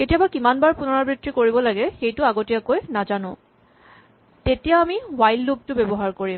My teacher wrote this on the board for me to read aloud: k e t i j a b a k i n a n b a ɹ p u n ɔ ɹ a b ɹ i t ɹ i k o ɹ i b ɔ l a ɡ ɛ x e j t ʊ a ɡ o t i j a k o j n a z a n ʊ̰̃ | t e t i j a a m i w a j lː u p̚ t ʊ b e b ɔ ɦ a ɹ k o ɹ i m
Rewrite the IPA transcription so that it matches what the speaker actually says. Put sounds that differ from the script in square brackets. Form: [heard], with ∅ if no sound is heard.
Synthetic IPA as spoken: k e t i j a b a k i [m] a n b a ɹ p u n ɔ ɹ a b ɹ i t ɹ i k o ɹ i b ɔ l a ɡ ɛ x e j t ʊ a ɡ o t i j a k o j n a z a n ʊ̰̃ | t e t i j a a m i w a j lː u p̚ t ʊ b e b ɔ ɦ a ɹ k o ɹ i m